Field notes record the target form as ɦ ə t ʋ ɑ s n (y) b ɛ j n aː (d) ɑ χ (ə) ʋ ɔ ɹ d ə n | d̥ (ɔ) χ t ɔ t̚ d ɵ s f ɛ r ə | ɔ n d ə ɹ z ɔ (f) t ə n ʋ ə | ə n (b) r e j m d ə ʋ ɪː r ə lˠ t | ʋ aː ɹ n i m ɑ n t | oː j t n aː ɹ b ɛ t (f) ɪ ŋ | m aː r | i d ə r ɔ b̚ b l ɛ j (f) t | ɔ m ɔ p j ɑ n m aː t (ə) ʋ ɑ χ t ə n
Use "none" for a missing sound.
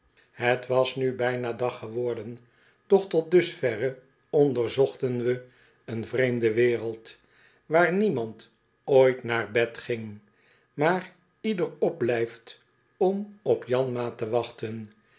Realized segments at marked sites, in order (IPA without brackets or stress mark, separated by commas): y, d, ə, ɔ, χ, v, χ, f, ə